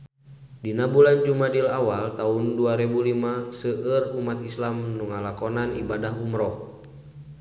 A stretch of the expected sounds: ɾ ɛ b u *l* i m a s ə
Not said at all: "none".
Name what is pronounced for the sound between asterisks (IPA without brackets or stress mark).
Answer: l